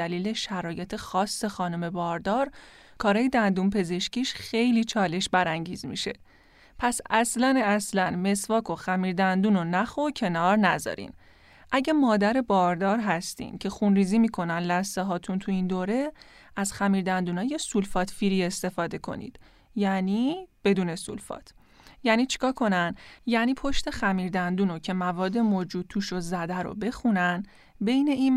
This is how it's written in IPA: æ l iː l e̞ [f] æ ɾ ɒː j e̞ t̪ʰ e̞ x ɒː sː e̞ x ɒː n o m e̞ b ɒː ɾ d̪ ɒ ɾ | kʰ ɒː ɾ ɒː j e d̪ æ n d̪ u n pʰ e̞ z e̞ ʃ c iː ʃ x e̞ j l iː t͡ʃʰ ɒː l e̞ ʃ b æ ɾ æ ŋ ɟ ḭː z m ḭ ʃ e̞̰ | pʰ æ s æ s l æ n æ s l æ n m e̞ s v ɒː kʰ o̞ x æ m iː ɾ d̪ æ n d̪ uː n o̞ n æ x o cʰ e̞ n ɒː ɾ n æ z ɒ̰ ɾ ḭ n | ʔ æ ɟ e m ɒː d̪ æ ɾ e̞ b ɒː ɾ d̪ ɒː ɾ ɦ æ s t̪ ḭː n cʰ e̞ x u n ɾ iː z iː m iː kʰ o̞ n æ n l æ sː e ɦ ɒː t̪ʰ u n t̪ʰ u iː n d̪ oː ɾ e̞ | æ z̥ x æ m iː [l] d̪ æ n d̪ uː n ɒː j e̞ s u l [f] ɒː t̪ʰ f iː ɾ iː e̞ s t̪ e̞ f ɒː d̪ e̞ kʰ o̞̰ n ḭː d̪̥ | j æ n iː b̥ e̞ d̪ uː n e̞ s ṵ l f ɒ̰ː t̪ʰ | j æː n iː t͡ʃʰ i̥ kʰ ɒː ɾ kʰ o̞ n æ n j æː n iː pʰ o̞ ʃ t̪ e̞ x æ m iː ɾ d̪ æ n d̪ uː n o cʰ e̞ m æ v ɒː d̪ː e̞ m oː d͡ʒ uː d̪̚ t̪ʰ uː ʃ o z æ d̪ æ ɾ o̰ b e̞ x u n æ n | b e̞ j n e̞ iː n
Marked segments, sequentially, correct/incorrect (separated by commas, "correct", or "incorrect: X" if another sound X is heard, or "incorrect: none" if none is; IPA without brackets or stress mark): incorrect: ʃ, incorrect: ɾ, correct